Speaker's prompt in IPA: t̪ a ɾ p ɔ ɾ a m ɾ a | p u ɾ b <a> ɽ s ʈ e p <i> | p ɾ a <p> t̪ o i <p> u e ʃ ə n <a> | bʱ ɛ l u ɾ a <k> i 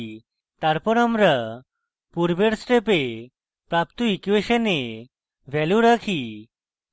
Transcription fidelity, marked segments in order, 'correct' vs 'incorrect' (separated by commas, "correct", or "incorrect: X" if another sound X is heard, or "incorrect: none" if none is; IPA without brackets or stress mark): incorrect: e, incorrect: e, correct, incorrect: k, incorrect: e, incorrect: kʰ